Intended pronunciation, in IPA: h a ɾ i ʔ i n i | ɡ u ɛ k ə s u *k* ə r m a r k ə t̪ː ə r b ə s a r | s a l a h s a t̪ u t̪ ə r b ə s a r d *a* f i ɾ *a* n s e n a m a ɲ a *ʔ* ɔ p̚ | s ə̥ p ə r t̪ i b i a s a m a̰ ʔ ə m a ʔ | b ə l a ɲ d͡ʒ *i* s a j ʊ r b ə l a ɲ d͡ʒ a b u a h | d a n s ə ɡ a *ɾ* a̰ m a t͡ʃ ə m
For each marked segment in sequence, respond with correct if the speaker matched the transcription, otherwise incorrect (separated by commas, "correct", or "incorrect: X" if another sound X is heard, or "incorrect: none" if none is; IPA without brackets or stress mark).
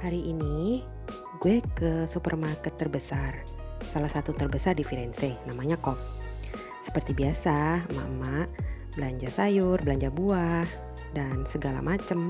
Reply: incorrect: p, incorrect: i, incorrect: ɛ, incorrect: k, incorrect: a, incorrect: l